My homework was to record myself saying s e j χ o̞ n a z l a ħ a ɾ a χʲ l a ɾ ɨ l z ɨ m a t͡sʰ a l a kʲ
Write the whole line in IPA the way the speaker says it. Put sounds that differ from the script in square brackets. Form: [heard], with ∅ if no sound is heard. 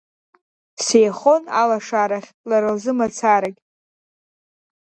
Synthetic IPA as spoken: s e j χ o̞ n a [∅] l a [ʂ] a ɾ a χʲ l a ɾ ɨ l z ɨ m a t͡sʰ a [ɾ] a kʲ